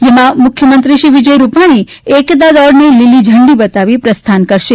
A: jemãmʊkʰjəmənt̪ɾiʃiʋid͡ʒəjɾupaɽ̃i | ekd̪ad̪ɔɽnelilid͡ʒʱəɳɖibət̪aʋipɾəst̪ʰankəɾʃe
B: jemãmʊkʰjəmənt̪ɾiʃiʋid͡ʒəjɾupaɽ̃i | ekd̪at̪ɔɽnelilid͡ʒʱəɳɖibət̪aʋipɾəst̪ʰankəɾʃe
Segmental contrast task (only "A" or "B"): A